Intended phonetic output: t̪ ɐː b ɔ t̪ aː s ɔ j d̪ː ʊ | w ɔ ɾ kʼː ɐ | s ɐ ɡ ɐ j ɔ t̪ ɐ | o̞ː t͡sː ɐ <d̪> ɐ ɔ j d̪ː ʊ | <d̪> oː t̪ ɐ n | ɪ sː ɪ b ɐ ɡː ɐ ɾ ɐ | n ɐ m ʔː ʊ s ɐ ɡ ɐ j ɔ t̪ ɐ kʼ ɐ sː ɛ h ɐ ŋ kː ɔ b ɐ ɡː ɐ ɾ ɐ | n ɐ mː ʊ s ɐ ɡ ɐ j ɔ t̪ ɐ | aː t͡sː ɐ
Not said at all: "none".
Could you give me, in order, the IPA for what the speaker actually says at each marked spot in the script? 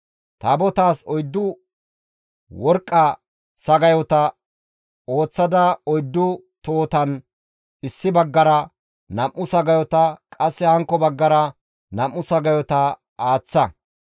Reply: d̪, t̪

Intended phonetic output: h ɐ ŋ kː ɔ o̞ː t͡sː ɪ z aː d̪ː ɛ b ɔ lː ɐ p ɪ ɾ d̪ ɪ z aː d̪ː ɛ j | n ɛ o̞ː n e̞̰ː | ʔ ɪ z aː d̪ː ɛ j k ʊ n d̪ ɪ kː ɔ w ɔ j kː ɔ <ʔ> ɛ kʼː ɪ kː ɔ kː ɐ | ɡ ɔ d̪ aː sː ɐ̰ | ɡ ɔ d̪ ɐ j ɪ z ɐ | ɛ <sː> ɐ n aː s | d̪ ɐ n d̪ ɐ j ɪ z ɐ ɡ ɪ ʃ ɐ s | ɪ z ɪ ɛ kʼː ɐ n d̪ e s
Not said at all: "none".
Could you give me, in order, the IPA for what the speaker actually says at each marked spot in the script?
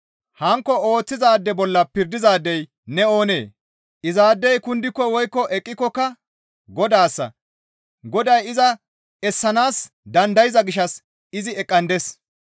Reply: ʔ, sː

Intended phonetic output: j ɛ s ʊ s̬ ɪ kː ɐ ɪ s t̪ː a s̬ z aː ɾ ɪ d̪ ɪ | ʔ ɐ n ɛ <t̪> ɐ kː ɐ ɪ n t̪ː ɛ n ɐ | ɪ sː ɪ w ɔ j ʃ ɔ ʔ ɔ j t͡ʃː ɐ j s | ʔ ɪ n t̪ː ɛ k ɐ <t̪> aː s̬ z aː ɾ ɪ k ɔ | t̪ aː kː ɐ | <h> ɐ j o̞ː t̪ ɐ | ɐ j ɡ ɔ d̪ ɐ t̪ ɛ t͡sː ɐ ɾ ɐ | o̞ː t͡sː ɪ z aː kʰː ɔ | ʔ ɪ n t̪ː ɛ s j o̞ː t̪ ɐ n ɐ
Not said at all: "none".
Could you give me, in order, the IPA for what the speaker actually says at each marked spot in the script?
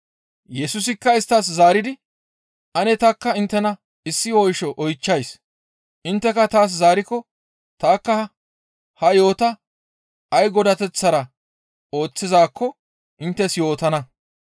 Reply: t̪, t̪, h

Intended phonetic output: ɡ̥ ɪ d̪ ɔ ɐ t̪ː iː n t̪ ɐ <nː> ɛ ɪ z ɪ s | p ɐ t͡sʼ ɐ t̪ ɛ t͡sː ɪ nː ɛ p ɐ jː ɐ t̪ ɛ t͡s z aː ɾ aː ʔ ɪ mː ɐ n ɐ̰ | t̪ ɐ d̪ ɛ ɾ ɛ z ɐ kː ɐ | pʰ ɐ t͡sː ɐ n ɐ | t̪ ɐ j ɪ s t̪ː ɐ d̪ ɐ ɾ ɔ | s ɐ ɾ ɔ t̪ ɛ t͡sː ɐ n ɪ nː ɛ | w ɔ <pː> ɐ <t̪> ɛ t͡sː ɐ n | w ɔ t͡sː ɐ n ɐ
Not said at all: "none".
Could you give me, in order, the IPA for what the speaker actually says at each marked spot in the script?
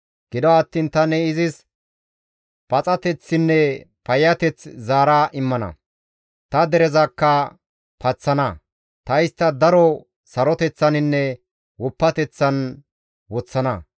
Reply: n, pː, t̪

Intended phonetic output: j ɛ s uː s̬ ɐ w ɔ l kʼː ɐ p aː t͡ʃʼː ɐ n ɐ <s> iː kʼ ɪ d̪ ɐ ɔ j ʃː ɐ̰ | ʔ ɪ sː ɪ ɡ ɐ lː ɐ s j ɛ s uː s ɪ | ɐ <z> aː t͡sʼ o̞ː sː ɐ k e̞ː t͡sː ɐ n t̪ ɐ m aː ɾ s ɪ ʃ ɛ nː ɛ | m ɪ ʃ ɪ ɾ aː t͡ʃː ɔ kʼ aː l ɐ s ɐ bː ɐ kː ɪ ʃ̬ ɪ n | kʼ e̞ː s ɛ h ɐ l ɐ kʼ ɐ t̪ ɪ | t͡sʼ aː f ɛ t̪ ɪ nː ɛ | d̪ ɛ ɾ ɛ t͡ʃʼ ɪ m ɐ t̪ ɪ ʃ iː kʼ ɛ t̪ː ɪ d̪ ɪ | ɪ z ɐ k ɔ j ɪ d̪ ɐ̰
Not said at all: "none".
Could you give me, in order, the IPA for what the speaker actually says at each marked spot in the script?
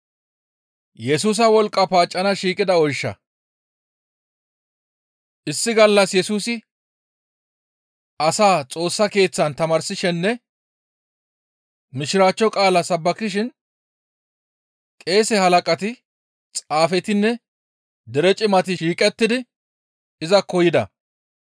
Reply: ʃ, s

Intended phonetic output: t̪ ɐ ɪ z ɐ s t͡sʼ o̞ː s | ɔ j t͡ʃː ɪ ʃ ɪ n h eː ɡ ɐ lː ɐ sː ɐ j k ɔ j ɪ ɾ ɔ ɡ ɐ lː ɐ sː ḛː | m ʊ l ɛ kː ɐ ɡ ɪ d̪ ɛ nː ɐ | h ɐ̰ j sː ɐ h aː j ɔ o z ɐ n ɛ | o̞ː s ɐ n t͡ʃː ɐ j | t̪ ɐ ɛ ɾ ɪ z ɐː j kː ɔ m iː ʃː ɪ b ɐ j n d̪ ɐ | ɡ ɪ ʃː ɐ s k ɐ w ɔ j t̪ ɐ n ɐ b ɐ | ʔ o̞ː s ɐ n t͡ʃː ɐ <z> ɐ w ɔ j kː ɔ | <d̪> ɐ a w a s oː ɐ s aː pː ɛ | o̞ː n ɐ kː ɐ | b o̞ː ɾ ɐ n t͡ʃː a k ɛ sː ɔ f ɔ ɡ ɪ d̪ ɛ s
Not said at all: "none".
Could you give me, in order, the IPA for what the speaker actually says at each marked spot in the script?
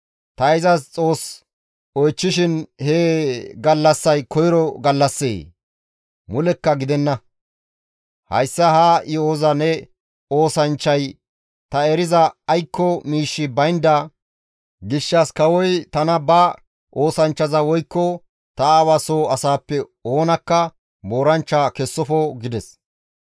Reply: z, t̪

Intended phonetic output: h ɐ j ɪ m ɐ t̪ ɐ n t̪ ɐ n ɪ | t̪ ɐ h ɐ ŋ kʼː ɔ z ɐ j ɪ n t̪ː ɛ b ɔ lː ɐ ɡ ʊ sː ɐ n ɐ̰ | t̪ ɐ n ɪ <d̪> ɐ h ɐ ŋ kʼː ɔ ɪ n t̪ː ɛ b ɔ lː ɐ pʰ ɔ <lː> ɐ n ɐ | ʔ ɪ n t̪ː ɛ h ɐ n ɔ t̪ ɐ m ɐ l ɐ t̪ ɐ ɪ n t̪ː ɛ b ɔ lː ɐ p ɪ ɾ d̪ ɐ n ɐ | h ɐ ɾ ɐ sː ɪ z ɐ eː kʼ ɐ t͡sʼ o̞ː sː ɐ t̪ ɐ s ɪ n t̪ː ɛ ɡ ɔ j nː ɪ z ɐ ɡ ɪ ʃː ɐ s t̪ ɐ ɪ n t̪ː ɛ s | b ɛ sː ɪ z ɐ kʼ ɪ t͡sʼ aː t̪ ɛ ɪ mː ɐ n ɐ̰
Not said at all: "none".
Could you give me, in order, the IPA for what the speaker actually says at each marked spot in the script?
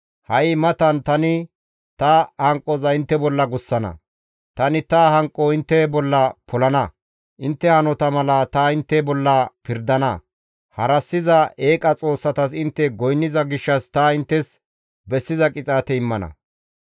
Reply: t̪, l

